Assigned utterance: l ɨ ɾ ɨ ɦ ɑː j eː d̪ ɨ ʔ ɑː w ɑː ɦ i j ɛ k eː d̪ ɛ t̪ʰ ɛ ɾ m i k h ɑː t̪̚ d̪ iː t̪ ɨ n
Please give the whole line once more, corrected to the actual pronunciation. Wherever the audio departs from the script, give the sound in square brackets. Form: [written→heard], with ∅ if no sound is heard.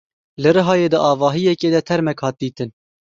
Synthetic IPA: l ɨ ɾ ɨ ɦ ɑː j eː d̪ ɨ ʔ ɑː [w→v] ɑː ɦ i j ɛ k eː d̪ ɛ t̪ʰ ɛ ɾ m [i→ɛ] k h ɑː t̪̚ d̪ iː t̪ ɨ n